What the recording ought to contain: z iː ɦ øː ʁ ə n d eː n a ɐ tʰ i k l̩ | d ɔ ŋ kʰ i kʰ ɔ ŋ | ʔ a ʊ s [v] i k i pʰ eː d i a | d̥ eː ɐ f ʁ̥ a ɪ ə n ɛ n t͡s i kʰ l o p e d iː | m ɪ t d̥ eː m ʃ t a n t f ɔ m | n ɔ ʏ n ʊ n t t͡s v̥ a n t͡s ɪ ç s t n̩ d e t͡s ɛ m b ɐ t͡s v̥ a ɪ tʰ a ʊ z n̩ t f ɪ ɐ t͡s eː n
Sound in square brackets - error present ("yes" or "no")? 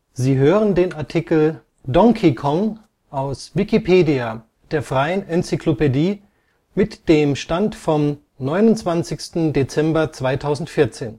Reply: no